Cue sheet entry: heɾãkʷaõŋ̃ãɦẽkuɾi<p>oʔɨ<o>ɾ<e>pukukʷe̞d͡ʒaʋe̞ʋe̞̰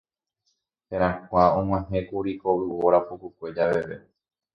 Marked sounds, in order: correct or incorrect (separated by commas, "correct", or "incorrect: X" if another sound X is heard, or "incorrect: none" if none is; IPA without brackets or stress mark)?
incorrect: k, correct, incorrect: a